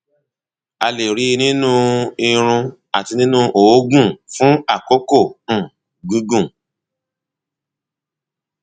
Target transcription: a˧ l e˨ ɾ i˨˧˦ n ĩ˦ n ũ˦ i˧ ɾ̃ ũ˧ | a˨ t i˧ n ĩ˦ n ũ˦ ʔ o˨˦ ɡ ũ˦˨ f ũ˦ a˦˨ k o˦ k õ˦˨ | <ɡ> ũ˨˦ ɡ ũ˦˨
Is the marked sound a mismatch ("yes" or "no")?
no